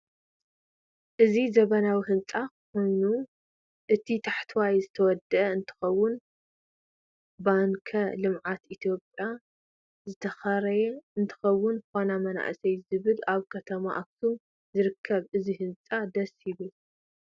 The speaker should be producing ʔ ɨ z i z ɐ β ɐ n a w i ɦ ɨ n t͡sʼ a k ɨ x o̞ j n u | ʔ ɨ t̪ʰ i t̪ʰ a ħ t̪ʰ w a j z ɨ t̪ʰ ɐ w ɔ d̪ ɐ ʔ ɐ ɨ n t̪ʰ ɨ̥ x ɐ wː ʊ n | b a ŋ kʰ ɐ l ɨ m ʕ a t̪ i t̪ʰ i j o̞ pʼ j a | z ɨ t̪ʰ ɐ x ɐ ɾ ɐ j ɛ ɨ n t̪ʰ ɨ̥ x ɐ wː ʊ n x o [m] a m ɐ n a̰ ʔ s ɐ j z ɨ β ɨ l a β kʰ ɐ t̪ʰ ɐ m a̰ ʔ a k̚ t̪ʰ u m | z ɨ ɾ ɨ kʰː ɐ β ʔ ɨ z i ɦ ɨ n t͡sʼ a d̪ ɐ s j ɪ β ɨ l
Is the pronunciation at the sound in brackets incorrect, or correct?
incorrect